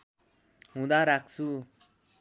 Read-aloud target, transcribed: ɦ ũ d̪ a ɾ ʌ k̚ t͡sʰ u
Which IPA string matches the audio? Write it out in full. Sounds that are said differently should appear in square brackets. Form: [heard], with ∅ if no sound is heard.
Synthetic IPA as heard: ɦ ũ d̪ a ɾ [a] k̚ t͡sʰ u

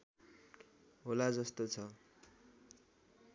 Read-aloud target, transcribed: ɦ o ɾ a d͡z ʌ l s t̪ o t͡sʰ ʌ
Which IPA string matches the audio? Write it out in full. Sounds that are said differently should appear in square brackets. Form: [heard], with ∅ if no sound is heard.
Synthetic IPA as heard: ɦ o [l] a d͡z ʌ [∅] s t̪ o t͡sʰ ʌ

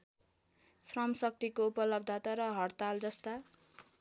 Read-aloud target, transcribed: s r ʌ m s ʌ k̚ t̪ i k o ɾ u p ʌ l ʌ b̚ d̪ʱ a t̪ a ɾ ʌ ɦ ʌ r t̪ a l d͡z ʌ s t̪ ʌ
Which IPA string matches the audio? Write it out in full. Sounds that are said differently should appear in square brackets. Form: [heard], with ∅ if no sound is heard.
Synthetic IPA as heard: s r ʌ m s ʌ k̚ t̪ i k o [∅] u p ʌ l ʌ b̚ d̪ʱ a t̪ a ɾ ʌ ɦ ʌ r t̪ a l d͡z ʌ s t̪ [a]

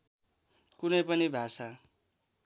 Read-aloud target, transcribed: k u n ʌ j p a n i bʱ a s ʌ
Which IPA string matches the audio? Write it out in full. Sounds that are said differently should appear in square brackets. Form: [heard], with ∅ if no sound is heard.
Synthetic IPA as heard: k u n ʌ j p [ʌ] n i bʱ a s [a]

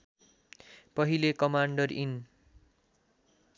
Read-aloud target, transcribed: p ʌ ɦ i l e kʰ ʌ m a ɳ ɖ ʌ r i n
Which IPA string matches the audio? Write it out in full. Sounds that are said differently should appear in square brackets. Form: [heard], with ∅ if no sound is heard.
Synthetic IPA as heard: p ʌ ɦ i l e [k] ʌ m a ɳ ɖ ʌ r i n

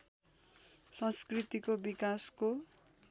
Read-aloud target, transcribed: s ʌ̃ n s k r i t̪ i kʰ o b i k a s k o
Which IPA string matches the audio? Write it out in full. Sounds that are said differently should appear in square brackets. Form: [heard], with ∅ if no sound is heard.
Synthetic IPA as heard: s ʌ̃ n s k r i t̪ i [k] o b i k a s k o

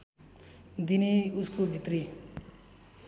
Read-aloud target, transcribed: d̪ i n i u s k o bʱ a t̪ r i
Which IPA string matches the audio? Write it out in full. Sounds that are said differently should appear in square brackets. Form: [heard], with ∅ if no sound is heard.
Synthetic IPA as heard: d̪ i n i u s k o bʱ [i] t̪ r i

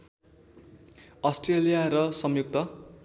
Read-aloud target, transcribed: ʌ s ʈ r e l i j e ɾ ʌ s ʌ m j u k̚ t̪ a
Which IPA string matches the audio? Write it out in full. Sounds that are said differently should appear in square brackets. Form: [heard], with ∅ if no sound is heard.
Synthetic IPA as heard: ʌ s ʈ r e l i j [a] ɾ ʌ s ʌ m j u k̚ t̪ [ʌ]

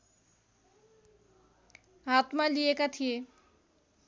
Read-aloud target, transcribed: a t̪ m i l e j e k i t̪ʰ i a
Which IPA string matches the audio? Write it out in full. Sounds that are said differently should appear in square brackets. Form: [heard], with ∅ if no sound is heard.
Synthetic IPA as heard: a t̪ m [a] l [i] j e k [a] t̪ʰ i [e]

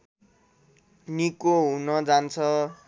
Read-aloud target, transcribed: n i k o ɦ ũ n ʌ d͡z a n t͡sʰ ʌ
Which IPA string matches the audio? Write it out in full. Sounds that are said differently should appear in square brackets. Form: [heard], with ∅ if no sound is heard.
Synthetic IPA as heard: n i k o ɦ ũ n ʌ d͡z a n t͡sʰ ʌ

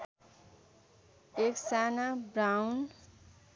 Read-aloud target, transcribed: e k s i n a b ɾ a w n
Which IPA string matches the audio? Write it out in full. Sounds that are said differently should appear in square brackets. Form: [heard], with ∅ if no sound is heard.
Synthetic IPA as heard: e k s [a] n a b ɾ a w n

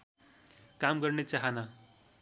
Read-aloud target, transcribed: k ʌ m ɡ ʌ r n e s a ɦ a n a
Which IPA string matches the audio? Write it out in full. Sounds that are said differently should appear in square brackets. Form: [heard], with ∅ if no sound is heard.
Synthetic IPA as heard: k [a] m ɡ ʌ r n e [t͡s] a ɦ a n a

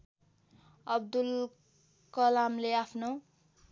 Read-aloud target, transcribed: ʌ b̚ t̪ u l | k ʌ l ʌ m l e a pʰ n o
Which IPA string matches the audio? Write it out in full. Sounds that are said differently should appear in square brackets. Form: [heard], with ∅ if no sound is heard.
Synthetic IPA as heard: ʌ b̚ [d̪] u l | k ʌ l [a] m l e a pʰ n o

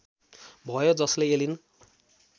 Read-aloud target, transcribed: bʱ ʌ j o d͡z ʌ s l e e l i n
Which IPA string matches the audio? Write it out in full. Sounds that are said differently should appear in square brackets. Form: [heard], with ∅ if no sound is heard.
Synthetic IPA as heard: bʱ ʌ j o d͡z ʌ s l e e l i n

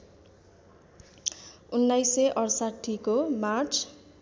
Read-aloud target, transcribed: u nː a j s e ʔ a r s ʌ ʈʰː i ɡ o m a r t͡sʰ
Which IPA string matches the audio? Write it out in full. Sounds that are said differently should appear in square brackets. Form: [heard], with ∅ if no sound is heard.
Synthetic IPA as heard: u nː a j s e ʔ [ʌ] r s [a] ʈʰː i [k] o m a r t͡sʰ

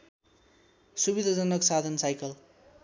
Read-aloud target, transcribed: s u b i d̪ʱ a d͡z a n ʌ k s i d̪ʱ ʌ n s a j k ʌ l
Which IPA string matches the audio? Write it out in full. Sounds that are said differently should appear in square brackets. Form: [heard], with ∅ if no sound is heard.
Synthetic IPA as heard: s u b i d̪ʱ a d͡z [ʌ] n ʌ k s [a] d̪ʱ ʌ n s a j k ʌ l

